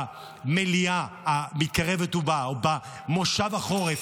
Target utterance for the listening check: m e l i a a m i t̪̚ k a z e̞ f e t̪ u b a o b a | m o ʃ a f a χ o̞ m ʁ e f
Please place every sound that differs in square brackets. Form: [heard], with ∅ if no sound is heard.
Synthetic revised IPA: m e l i a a m i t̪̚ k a [ʁ] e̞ [v] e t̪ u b a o b a | m o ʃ a [v] a χ o̞ [∅] ʁ e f